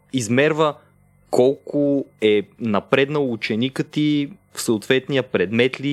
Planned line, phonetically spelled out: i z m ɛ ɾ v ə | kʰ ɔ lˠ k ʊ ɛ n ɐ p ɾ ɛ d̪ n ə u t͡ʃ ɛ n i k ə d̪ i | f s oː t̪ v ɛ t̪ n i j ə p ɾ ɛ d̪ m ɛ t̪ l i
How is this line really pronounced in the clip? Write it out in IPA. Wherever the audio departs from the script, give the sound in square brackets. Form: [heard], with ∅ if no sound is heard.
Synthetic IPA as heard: i z m ɛ ɾ v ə | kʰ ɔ lˠ k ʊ ɛ n ɐ p ɾ ɛ d̪ n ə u t͡ʃ ɛ n i k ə [t̪] i | f s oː t̪ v ɛ t̪ n i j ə p ɾ ɛ d̪ m ɛ t̪ l i